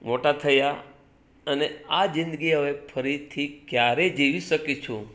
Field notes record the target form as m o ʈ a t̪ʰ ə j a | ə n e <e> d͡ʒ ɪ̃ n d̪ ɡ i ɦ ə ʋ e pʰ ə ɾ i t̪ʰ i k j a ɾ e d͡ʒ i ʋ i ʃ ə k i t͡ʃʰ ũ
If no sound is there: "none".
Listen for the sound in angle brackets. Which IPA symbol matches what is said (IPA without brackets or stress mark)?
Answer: a